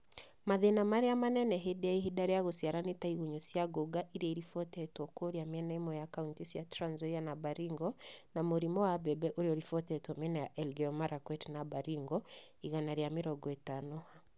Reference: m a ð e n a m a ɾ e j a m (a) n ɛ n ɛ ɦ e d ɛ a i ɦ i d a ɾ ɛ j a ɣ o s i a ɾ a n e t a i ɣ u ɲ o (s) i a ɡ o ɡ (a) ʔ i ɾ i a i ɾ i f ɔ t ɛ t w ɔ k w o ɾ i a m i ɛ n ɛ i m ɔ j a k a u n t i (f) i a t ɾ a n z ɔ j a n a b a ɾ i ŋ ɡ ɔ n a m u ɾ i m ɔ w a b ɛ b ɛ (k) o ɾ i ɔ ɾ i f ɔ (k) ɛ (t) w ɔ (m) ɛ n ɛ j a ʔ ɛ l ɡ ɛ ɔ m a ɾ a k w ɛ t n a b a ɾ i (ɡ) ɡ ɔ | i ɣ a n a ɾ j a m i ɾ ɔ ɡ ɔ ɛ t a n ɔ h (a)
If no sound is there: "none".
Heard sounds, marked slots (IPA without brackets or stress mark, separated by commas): a, s, a, s, ʔ, t, t, m, ŋ, a